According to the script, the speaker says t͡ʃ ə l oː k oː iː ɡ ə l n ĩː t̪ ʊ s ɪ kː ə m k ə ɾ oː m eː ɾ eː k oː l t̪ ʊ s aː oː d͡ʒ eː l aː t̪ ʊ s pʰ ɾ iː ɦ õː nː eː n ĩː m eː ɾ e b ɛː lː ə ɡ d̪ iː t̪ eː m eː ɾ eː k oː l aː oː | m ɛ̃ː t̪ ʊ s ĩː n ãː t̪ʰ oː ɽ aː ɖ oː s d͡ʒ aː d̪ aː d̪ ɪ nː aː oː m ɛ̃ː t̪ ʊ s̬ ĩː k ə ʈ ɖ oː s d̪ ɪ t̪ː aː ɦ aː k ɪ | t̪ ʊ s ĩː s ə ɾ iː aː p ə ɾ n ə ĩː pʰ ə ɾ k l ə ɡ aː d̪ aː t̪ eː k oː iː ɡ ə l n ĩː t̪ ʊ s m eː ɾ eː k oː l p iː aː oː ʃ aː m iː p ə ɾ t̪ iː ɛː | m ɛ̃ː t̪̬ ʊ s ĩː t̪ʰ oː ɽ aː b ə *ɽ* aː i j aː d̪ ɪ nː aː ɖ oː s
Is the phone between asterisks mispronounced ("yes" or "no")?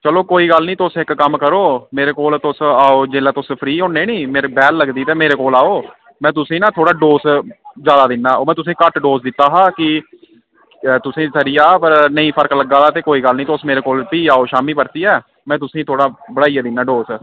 no